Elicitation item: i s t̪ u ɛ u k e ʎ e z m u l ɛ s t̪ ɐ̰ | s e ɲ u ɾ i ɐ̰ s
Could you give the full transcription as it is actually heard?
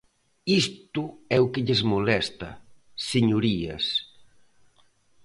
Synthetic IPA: i s t̪ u ɛ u k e ʎ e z m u l ɛ s t̪ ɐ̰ | s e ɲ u ɾ i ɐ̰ s